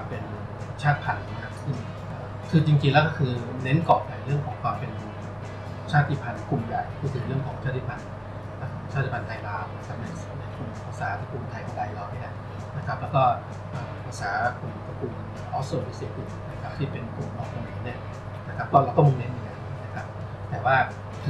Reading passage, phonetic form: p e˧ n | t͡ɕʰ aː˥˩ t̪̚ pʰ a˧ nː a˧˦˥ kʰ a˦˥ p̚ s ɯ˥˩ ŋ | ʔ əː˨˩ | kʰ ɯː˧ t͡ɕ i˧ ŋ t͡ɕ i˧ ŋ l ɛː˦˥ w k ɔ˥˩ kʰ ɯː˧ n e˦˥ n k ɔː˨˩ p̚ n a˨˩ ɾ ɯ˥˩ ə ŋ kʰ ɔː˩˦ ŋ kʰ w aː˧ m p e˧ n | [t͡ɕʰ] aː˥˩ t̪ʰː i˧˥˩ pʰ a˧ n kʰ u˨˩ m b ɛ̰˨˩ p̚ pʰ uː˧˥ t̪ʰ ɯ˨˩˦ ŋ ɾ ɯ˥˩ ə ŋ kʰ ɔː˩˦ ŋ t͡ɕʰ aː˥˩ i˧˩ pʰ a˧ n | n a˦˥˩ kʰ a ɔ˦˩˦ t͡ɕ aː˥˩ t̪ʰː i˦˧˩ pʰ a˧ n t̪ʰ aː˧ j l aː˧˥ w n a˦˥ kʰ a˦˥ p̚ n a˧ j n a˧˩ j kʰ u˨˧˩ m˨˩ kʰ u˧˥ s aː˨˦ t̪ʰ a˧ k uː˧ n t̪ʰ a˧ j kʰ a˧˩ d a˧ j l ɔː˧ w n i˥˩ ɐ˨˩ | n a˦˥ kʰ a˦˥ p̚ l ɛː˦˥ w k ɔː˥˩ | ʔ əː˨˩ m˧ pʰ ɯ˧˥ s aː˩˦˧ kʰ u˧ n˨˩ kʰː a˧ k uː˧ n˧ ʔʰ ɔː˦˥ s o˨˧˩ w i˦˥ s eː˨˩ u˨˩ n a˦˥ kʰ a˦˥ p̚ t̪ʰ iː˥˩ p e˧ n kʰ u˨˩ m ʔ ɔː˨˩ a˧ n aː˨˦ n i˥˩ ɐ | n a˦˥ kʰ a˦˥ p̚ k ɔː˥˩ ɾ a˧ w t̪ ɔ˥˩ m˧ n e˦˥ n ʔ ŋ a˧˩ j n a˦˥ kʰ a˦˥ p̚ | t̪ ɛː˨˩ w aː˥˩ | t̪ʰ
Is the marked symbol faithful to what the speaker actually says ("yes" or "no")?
yes